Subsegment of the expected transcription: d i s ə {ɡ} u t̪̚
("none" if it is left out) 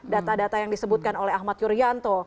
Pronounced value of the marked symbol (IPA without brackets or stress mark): b